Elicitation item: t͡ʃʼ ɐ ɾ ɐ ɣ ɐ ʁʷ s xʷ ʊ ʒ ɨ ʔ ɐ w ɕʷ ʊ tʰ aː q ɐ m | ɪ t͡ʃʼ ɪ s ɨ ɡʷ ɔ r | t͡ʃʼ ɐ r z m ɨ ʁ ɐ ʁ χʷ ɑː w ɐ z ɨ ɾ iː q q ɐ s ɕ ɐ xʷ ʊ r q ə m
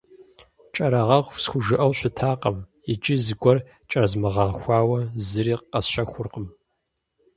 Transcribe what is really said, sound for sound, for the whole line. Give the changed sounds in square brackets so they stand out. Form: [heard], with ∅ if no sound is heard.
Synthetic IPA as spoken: t͡ʃʼ ɐ ɾ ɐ [ʁ] ɐ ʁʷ s xʷ ʊ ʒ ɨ ʔ ɐ w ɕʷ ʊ tʰ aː q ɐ m | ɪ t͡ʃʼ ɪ [z] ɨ ɡʷ ɔ r | t͡ʃʼ ɐ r z m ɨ ʁ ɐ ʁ [xʷ] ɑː w ɐ z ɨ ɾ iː q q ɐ s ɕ ɐ xʷ ʊ r q ə m